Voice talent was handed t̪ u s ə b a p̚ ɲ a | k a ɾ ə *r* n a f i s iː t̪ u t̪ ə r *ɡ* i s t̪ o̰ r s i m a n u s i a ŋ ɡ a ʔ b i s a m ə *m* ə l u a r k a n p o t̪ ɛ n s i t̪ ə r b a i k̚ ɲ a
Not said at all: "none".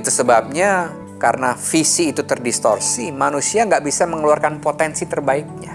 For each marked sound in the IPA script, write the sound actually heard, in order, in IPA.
none, d, ŋ

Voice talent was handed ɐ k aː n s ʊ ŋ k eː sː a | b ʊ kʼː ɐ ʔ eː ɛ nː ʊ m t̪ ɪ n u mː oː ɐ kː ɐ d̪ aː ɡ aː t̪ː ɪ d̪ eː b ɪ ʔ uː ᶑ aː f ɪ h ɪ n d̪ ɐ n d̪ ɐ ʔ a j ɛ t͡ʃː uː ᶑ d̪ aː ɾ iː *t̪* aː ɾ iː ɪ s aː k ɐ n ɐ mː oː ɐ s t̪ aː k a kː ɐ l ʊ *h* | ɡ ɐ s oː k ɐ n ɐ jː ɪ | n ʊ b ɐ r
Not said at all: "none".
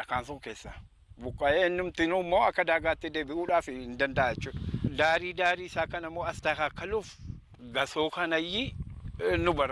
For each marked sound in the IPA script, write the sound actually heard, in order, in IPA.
d̪, f

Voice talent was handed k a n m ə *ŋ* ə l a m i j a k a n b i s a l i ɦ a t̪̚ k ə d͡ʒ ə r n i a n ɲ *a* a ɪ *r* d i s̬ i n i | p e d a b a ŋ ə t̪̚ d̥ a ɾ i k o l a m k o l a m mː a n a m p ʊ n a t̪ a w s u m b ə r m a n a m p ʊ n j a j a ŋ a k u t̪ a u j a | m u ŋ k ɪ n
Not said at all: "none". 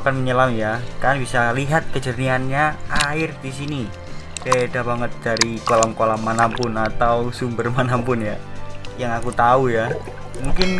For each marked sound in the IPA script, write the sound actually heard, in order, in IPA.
ɲ, a, r

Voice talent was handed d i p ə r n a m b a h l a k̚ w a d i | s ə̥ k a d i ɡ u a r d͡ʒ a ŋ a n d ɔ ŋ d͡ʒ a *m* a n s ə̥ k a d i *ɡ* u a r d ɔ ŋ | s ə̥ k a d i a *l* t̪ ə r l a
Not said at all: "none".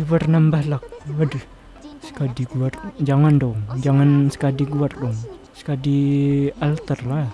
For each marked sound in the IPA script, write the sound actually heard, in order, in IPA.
ŋ, ɡ, l

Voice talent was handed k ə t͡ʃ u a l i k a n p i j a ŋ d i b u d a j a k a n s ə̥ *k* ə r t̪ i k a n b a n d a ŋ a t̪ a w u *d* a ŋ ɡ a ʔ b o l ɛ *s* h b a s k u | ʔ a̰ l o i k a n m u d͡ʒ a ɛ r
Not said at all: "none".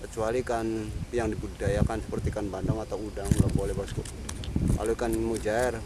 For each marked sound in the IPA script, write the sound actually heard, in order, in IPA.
p, d, none

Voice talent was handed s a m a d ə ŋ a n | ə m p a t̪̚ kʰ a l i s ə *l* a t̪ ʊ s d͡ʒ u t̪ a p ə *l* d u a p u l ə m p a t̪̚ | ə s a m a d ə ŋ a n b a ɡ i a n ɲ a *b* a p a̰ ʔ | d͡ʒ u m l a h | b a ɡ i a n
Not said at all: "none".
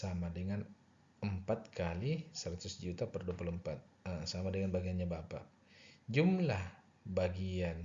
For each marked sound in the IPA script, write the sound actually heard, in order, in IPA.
ɾ, r, b

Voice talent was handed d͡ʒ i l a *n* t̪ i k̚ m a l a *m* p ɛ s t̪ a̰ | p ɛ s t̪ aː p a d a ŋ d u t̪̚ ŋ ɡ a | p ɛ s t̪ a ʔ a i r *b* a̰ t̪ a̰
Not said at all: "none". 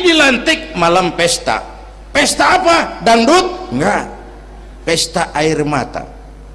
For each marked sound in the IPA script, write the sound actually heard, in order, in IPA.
n, m, m

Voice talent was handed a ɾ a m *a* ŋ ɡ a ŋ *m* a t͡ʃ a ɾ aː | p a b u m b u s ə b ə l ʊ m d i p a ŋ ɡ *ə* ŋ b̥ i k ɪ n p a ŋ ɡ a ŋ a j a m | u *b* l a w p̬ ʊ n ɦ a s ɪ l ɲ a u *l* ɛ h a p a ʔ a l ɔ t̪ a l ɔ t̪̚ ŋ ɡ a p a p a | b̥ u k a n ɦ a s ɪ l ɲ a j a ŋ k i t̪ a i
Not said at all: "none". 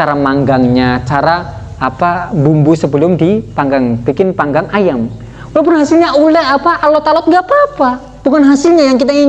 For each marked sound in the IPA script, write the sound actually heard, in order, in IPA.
a, ɲ, a, none, l

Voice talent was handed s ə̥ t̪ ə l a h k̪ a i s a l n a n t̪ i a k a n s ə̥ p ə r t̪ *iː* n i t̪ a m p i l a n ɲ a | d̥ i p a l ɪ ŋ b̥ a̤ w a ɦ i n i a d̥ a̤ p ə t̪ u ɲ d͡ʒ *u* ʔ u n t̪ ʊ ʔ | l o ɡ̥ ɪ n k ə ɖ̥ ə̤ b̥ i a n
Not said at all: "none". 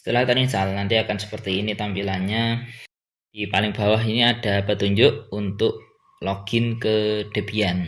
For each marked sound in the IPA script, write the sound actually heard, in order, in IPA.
iː, ʊ

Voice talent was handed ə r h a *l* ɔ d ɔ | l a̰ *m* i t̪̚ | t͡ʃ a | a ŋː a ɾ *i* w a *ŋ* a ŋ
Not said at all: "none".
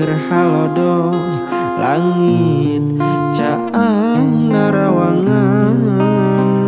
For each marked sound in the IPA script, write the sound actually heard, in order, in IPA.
l, ŋ, a, ŋ

